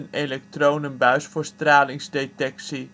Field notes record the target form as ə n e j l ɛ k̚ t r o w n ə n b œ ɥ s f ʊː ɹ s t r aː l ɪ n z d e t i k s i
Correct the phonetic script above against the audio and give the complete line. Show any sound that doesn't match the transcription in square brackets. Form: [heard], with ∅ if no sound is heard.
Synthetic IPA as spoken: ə n e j l ɛ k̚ t r o w n ə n b œ ɥ s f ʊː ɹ s t r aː l ɪ [ŋ] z d e t [ɛ] k s i